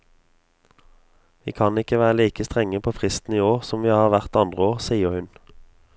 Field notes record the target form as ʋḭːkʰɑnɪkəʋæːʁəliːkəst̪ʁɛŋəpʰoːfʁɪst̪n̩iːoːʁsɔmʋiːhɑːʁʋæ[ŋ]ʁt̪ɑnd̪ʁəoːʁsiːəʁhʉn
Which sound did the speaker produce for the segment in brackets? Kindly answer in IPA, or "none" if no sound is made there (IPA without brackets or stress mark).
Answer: none